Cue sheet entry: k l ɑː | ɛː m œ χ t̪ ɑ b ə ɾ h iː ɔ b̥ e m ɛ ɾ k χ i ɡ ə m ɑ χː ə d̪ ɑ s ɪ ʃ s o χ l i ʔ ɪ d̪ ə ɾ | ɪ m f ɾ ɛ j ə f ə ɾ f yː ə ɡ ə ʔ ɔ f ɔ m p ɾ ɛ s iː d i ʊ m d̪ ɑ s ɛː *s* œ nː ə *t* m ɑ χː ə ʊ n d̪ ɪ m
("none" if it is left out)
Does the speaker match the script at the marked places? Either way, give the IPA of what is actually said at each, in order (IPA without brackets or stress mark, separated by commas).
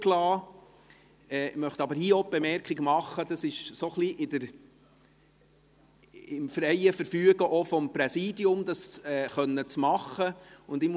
χ, t͡s